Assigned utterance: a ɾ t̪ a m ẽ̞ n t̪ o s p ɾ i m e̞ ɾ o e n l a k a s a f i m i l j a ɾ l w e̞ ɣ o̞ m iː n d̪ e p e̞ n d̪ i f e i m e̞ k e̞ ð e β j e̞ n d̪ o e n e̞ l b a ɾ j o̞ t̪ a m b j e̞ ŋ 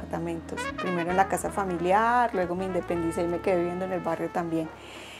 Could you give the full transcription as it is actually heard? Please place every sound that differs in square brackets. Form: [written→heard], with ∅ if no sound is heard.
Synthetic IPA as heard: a ɾ t̪ a m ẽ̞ n t̪ o s p ɾ i m e̞ ɾ o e n l a k a s a f [i→a] m i l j a ɾ l w e̞ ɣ o̞ m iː n d̪ e p e̞ n d̪ i [f→s] e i m e̞ k e̞ ð e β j e̞ n d̪ o e n e̞ l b a [ɾ→r] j o̞ t̪ a m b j e̞ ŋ